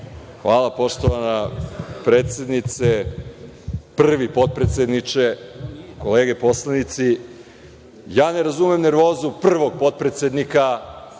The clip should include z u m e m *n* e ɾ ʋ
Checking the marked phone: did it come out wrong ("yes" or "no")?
no